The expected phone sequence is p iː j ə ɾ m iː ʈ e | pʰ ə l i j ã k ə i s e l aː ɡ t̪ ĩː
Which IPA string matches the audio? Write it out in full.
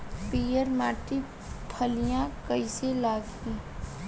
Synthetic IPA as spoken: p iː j ə ɾ m aː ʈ i | pʰ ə l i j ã k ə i s e l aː ɡ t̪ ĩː